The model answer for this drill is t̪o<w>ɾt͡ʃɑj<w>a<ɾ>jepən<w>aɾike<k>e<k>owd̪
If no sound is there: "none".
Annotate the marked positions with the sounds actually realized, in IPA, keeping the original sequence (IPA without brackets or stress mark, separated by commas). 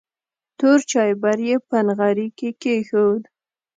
none, b, ɾ, ɣ, k, x